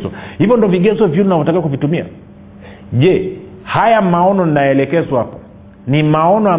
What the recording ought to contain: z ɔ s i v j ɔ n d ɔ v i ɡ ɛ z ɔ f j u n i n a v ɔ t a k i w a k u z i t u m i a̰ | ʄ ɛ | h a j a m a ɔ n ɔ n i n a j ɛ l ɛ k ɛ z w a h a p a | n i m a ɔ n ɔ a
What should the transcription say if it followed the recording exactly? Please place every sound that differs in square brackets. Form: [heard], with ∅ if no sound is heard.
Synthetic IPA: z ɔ [h] i v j ɔ n d ɔ v i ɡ ɛ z ɔ [v] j u n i n a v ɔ t a k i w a k u [v] i t u m i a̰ | ʄ ɛ | h a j a m a ɔ n ɔ n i n a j ɛ l ɛ k ɛ z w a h a p a | n i m a ɔ n ɔ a